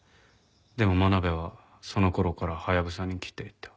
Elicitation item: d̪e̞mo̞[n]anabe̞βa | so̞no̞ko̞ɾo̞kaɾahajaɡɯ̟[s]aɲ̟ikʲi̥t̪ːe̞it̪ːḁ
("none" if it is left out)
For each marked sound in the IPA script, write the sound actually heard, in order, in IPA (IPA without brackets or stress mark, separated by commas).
m, s